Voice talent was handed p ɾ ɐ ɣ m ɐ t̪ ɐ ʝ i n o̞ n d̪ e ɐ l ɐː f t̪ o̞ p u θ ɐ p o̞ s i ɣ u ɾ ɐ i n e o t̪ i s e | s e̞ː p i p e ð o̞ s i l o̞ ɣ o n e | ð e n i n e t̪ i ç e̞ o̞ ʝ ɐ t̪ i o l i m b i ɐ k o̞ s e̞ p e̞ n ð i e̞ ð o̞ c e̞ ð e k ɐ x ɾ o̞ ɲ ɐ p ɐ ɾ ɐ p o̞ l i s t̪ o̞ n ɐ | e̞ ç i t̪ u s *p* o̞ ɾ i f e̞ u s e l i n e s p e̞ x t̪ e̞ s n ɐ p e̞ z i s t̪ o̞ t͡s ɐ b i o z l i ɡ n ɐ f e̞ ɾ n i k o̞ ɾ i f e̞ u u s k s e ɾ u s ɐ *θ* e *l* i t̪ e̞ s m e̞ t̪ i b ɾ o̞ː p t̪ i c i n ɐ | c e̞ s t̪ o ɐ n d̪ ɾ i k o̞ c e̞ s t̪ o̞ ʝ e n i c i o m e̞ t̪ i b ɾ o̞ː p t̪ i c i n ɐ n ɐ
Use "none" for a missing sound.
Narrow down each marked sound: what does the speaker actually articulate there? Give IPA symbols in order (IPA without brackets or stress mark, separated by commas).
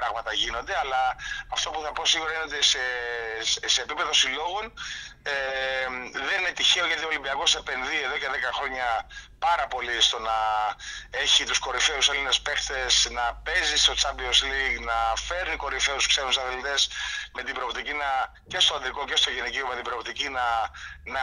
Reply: k, θ, l